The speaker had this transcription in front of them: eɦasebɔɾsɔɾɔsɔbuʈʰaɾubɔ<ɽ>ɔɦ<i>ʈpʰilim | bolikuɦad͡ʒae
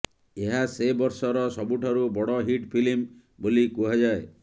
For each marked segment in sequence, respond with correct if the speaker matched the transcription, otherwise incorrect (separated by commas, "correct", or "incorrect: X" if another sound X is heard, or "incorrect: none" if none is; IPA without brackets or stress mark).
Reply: correct, correct